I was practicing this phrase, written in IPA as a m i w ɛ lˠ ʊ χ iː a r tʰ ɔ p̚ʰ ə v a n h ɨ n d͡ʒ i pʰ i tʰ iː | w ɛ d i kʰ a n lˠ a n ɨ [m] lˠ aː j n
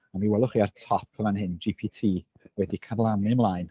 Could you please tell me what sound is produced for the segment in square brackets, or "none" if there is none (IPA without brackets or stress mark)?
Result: m